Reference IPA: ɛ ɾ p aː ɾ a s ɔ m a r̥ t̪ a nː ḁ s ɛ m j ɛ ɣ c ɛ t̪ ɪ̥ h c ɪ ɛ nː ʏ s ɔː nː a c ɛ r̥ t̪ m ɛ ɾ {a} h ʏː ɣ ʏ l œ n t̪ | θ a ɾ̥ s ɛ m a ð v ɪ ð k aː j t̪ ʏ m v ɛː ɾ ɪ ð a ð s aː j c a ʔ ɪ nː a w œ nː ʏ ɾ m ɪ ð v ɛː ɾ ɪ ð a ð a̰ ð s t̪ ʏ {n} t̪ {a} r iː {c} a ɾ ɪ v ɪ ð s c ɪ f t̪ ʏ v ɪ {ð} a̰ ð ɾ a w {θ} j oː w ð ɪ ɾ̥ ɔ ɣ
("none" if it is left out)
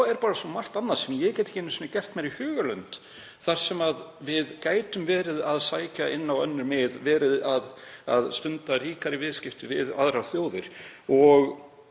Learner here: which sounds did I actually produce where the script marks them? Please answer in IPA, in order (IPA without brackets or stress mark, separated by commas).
i, n, a, k, ð, θ